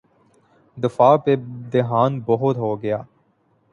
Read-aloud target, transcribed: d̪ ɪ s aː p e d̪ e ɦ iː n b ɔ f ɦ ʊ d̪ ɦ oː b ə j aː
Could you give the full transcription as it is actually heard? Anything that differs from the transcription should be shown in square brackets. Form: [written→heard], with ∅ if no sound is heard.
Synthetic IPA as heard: d̪ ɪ [s→f] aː p e d̪ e ɦ [iː→aː] n b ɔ [f→∅] ɦ ʊ [d̪→t̪] ɦ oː [b→ɡ] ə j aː